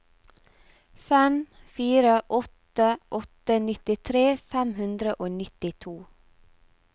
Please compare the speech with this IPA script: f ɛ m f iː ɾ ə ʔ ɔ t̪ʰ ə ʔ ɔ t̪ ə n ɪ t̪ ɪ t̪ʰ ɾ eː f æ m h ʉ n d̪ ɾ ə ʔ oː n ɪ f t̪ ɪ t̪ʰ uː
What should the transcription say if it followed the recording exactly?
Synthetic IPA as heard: f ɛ m f iː ɾ ə ʔ ɔ t̪ ə ʔ ɔ t̪ ə n ɪ t̪ ɪ t̪ʰ ɾ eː f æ m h ʉ n d̪ ɾ ə ʔ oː n ɪ t̪ ɪ t̪ʰ uː